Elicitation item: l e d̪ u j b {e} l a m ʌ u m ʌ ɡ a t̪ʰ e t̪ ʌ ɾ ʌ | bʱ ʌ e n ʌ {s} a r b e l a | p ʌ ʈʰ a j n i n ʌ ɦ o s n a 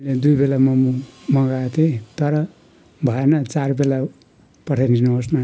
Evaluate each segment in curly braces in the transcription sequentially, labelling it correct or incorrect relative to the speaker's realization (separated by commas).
correct, incorrect